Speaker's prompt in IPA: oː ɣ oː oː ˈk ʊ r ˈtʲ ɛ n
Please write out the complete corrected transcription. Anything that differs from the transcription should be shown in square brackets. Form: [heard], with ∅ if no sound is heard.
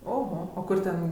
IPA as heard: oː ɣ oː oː ˈk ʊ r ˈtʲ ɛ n